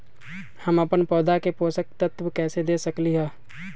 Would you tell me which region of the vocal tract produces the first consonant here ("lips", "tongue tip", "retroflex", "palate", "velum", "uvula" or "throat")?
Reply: throat